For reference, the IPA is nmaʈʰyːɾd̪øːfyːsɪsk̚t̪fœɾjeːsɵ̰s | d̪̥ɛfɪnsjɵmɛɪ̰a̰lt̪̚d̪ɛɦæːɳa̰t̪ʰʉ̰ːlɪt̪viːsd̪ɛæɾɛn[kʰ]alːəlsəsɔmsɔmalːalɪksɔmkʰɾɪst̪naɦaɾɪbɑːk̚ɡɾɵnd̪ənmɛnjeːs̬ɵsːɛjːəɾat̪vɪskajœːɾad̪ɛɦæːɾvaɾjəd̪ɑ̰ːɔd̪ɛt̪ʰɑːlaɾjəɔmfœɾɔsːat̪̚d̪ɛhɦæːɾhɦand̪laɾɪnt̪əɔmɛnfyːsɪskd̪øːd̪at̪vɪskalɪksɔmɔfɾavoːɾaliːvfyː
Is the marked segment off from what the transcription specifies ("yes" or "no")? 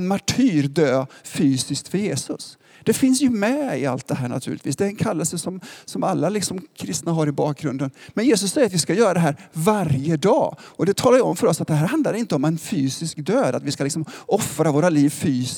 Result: no